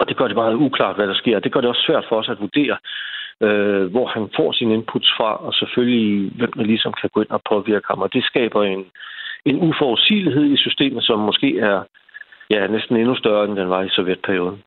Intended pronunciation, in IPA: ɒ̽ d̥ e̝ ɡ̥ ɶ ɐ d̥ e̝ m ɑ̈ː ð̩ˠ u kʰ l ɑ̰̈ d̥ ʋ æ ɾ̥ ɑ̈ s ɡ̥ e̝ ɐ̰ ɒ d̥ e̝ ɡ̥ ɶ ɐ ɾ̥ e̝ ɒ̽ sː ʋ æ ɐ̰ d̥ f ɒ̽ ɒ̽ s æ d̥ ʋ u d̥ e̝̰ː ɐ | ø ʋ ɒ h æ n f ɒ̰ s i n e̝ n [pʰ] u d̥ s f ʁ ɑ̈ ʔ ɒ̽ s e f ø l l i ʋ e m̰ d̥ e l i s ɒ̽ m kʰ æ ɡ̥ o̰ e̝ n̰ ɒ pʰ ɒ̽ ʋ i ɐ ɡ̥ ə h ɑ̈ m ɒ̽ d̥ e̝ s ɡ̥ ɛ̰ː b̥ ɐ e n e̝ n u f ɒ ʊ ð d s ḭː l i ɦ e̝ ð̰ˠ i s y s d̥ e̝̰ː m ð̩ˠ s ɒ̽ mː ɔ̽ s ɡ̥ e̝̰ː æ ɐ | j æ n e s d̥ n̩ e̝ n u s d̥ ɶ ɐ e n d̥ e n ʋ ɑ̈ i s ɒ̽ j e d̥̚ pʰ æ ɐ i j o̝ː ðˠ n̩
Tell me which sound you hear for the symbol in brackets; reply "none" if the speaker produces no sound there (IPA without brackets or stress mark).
pʰ